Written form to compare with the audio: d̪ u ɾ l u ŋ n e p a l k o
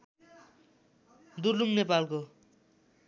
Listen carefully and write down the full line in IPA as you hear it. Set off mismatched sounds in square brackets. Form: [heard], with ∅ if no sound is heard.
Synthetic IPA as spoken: d̪ u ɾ l u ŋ n e p a l k o